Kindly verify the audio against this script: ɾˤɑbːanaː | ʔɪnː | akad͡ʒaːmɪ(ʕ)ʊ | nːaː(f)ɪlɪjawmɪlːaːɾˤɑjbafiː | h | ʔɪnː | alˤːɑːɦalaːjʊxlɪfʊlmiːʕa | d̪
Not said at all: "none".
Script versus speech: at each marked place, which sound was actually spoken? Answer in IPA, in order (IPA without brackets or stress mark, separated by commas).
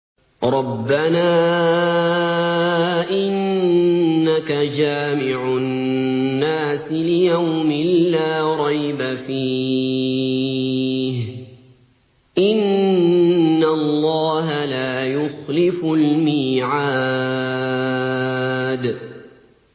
ʕ, s